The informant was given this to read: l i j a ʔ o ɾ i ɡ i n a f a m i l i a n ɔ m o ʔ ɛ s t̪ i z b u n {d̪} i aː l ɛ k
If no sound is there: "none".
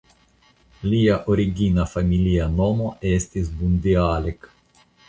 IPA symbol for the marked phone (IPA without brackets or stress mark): d̪